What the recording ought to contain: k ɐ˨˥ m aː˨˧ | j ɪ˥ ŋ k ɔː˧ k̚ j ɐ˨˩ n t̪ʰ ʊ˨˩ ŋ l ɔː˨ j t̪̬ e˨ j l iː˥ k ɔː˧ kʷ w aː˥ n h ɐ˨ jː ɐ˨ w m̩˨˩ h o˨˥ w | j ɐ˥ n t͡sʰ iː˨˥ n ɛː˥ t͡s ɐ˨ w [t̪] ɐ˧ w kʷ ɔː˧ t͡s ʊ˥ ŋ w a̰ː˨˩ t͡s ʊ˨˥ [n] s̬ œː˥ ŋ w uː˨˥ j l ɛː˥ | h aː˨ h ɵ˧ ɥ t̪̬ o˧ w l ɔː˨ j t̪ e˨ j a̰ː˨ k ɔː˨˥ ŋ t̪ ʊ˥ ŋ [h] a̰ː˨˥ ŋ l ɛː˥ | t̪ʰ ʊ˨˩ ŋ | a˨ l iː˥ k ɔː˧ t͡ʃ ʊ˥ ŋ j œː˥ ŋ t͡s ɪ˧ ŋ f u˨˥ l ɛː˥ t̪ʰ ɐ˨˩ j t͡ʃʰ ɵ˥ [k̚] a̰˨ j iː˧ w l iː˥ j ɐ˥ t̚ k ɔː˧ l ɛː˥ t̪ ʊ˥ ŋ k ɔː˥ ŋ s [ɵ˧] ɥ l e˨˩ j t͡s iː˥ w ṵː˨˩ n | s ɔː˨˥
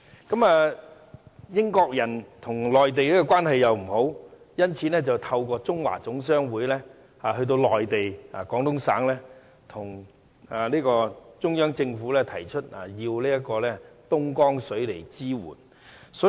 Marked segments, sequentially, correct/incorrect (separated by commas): incorrect, incorrect, incorrect, incorrect, incorrect